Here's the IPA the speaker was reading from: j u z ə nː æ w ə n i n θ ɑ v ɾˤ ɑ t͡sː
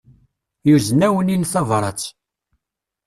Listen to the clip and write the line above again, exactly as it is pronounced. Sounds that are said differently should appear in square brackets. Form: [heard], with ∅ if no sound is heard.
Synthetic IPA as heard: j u z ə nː æ w ə n i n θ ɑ v ɾˤ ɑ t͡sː